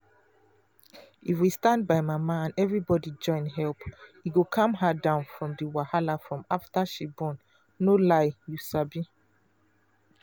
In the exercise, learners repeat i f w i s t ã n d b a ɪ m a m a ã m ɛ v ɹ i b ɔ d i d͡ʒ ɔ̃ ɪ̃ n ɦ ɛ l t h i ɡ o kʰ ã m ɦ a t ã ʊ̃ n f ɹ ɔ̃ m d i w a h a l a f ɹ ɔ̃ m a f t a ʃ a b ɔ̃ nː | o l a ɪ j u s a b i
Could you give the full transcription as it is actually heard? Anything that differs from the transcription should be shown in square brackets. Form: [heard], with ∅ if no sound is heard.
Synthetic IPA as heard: i f w i s t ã n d b a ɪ m a m a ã [n] ɛ v ɹ i b ɔ d i d͡ʒ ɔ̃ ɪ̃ n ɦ ɛ l [p] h i ɡ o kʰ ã m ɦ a [d] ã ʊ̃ n f ɹ ɔ̃ m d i w a h a l a f ɹ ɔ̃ m a f t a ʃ [i] b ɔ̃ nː | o l a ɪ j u s a b i